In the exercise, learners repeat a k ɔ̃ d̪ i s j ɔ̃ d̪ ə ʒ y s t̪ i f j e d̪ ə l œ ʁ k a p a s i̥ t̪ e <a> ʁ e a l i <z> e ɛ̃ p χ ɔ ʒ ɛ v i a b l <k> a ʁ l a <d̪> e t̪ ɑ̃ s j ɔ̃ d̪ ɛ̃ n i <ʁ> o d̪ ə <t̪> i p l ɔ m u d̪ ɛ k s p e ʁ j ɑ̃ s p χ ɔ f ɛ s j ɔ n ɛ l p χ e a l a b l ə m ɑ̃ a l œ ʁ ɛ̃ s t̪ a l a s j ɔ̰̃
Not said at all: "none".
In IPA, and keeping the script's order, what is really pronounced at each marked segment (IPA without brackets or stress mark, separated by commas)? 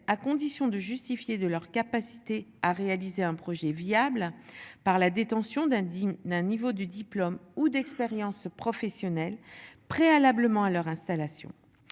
a, z, p, d̪, v, d̪